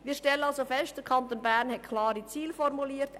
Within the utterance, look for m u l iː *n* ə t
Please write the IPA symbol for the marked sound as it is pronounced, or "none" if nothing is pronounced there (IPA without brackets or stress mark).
none